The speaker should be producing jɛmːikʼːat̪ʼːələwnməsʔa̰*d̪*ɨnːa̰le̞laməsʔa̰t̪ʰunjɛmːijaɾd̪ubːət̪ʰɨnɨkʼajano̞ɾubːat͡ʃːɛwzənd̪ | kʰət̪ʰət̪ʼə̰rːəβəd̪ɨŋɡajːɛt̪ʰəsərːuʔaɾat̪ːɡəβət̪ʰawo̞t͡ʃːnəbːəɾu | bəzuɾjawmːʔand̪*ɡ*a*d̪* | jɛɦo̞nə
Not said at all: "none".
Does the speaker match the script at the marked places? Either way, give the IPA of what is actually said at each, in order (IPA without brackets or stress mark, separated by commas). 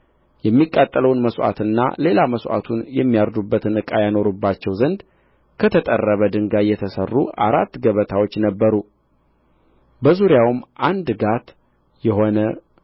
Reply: t̪, ɡ, t̪